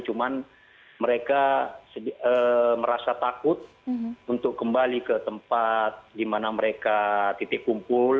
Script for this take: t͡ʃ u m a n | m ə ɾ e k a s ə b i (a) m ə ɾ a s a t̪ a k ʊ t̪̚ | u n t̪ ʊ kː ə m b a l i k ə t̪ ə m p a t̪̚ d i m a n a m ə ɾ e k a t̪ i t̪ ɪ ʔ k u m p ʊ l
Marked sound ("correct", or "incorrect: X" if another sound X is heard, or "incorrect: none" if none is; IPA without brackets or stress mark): incorrect: ə